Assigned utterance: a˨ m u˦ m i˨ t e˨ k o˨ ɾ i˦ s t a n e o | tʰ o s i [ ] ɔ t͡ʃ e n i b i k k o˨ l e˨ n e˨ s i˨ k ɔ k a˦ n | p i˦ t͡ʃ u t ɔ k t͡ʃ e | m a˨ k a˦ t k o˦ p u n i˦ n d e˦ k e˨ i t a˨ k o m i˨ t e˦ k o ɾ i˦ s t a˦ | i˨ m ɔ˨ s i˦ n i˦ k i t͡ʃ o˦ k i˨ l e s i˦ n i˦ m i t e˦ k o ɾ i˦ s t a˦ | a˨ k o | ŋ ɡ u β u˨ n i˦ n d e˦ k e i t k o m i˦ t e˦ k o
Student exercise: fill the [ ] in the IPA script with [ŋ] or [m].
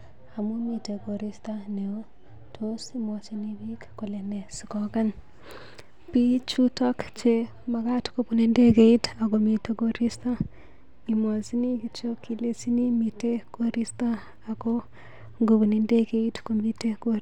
m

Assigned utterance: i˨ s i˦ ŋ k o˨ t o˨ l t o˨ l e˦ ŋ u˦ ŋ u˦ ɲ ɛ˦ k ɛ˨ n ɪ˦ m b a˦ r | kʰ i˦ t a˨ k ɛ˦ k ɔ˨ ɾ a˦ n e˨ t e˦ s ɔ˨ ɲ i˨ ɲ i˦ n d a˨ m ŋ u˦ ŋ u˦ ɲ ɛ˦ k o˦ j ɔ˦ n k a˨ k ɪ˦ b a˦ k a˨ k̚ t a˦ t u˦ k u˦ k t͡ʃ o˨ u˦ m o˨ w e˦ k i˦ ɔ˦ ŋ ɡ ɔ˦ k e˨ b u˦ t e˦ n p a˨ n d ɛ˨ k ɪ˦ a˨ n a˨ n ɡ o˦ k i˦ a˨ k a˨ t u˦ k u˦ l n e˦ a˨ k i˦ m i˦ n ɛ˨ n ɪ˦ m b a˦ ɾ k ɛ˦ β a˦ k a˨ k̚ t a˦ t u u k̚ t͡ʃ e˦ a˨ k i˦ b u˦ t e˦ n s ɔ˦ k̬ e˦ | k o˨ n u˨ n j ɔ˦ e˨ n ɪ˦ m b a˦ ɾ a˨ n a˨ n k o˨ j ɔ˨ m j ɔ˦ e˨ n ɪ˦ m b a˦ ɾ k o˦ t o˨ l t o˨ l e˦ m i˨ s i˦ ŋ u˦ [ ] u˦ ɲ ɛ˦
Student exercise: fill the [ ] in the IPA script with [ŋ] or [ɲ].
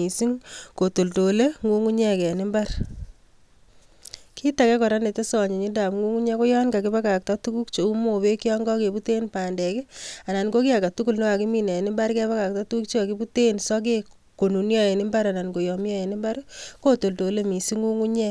ŋ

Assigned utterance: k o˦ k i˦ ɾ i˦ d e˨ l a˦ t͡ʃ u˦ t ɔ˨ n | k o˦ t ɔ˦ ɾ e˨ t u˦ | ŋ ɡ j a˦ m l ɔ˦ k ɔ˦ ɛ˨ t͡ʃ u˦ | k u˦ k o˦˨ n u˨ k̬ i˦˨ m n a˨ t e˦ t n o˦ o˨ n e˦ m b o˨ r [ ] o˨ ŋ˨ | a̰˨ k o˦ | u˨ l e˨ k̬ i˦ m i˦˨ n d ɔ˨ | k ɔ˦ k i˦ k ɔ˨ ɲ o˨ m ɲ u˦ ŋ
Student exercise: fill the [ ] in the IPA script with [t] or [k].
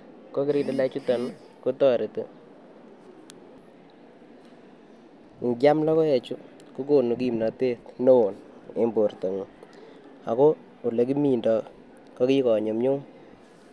t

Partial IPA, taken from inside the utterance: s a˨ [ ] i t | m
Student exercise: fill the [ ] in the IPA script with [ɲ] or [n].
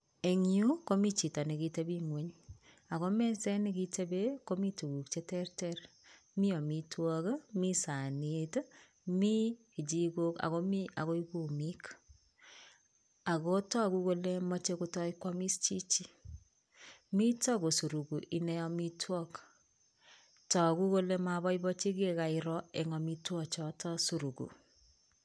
n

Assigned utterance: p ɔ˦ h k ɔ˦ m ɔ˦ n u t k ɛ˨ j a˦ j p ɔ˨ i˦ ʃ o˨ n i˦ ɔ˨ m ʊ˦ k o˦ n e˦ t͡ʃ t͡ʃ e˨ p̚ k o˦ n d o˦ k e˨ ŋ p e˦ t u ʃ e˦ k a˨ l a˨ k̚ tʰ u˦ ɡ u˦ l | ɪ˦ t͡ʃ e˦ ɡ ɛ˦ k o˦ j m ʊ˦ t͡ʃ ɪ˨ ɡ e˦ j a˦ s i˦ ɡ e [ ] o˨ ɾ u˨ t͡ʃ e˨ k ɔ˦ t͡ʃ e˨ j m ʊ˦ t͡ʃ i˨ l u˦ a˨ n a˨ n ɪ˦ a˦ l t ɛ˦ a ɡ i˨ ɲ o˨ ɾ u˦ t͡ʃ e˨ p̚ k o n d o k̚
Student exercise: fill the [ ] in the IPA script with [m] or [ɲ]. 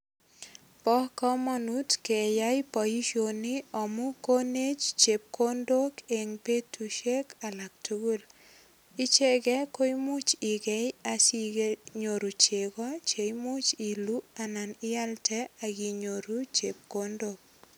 ɲ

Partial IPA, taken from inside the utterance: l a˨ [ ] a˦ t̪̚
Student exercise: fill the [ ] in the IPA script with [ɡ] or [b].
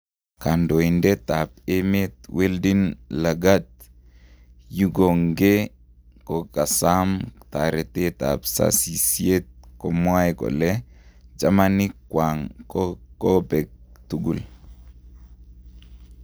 ɡ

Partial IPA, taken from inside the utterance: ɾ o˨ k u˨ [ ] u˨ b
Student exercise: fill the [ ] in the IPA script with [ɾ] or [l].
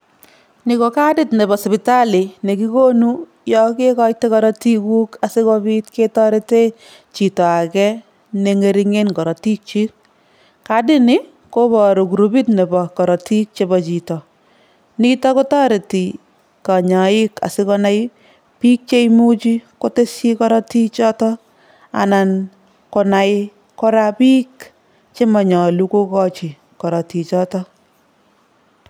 ɾ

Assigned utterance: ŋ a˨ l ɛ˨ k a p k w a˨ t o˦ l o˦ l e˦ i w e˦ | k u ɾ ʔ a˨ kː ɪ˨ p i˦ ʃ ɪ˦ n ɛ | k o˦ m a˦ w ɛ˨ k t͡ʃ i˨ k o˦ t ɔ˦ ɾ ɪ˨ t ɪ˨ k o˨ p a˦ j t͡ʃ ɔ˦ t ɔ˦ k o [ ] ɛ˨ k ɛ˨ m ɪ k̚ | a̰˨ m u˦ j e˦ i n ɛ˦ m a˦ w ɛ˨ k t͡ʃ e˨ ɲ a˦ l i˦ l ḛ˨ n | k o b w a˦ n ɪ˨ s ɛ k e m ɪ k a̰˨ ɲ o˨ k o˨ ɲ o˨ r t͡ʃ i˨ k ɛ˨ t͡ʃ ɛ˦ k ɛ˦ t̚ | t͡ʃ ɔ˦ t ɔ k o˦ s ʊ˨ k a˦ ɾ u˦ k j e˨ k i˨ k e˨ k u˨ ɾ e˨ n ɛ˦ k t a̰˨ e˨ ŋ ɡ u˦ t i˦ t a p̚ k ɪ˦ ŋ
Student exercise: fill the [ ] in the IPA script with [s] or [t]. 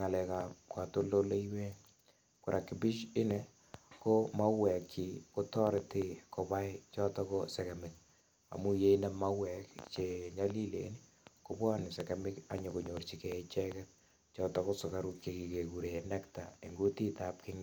s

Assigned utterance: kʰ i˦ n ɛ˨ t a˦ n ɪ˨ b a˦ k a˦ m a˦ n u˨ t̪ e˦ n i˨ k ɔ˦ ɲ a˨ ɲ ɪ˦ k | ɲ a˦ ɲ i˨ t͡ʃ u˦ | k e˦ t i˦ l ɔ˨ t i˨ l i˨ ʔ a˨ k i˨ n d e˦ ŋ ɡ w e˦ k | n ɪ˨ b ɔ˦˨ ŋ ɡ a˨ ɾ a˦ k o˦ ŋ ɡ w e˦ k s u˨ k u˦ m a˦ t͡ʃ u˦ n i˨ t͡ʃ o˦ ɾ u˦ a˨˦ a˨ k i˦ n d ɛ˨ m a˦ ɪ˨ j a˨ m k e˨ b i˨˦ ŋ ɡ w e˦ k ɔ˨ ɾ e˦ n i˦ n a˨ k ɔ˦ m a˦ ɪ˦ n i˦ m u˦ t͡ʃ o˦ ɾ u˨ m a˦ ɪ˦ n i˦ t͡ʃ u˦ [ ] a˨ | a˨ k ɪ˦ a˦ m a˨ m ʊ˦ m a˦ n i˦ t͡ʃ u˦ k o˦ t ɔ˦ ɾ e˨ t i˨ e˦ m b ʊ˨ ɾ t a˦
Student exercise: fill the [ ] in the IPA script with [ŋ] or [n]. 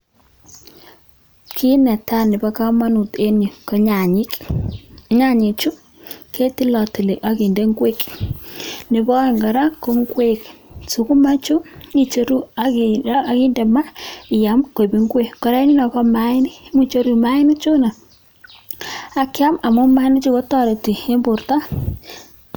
n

